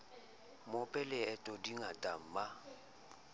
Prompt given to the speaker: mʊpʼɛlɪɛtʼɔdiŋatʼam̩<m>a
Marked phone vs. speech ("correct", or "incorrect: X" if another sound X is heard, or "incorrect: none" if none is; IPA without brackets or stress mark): correct